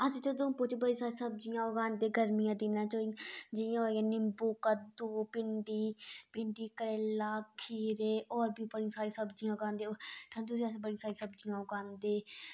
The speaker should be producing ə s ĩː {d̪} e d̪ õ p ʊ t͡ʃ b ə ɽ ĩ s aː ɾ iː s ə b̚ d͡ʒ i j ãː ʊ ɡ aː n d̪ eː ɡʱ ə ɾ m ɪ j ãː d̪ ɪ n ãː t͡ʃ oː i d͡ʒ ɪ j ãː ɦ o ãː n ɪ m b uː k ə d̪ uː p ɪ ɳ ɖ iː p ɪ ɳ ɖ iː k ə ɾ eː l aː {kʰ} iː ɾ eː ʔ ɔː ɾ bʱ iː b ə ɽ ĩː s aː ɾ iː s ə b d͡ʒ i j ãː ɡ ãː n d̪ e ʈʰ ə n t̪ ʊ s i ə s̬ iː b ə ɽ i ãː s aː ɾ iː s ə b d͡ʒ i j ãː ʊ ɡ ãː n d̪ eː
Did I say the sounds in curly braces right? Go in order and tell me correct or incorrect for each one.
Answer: incorrect: t̪, correct

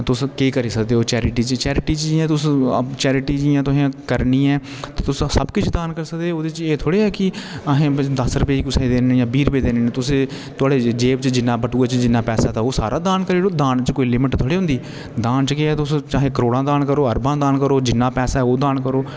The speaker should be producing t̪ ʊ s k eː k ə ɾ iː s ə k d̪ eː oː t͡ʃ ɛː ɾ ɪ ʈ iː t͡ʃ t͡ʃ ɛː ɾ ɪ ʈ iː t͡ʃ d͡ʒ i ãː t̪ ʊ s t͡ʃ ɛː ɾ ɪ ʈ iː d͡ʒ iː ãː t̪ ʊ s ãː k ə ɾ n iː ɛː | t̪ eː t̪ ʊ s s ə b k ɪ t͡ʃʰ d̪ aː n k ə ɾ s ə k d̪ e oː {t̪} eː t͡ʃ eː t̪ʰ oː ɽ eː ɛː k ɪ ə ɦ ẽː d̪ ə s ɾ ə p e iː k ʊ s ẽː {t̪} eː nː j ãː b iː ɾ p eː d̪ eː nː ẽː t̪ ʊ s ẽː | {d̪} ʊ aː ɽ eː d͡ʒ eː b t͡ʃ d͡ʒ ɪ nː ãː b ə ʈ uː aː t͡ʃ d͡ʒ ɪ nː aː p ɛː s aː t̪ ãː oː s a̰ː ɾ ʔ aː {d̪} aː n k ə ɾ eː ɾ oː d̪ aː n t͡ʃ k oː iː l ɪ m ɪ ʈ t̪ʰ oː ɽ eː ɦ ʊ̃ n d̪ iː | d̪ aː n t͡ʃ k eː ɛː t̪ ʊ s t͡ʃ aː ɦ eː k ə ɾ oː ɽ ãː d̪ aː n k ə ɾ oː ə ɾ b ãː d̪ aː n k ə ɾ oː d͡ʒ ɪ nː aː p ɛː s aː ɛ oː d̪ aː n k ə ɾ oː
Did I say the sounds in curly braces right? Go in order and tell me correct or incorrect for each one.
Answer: incorrect: d̪, incorrect: d̪, incorrect: t̪, correct

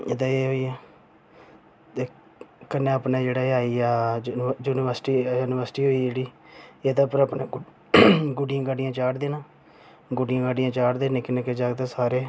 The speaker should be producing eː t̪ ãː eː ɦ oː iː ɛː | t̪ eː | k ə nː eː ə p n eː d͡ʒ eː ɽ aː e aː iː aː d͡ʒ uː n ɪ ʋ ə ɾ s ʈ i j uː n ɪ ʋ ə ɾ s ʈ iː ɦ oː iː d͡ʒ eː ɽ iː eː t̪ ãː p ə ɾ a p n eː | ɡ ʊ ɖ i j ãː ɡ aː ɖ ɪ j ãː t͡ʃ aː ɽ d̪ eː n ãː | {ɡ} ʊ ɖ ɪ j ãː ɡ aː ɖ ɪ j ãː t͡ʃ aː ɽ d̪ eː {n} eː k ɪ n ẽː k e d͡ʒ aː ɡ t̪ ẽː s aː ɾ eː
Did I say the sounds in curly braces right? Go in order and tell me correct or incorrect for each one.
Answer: correct, correct

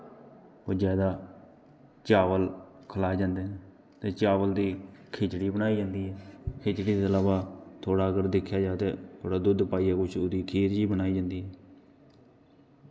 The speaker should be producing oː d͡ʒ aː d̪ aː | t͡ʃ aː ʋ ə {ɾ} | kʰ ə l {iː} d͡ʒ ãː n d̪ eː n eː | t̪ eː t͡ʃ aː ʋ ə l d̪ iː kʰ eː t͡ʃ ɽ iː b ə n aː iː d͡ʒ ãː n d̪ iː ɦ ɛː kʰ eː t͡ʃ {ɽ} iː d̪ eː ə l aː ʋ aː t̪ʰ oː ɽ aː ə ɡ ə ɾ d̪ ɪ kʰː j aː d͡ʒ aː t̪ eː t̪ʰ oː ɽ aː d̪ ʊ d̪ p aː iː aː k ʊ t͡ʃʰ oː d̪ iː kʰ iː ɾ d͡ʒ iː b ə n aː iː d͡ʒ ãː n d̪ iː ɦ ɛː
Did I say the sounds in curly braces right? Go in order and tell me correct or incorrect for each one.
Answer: incorrect: l, incorrect: aː, correct

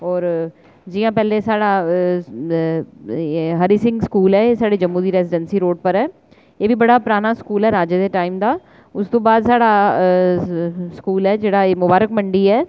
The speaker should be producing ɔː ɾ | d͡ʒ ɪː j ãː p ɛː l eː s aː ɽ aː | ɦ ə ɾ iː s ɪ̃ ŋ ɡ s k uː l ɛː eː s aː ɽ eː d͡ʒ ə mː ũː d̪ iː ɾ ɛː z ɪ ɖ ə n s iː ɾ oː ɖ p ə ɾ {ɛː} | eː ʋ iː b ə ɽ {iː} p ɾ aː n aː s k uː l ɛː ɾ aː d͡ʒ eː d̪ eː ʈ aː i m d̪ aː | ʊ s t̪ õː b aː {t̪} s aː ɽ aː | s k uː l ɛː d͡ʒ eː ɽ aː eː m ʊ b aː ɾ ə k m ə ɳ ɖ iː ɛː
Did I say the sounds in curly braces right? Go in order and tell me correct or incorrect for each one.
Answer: correct, incorrect: aː, incorrect: d̪

